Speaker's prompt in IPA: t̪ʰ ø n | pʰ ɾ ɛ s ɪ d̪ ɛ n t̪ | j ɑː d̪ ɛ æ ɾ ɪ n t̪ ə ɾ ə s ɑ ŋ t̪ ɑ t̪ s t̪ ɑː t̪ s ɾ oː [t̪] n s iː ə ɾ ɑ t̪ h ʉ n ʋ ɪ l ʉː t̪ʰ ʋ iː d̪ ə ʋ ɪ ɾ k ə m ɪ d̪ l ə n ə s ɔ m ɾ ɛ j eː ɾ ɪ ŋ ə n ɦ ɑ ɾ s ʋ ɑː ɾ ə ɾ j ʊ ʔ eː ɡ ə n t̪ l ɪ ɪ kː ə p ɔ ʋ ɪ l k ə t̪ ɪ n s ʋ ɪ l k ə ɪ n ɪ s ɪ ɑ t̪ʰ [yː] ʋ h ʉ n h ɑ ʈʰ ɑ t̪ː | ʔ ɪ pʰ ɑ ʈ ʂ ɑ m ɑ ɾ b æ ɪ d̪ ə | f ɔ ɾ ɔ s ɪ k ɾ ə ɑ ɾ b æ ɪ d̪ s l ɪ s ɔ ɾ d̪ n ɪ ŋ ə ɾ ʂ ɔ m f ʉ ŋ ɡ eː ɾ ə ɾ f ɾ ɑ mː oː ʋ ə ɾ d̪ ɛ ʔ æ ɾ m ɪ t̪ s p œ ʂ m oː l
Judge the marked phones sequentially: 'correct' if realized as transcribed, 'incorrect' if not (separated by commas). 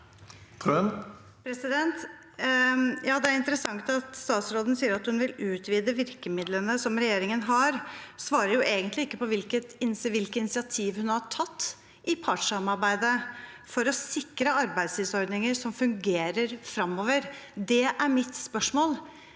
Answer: incorrect, incorrect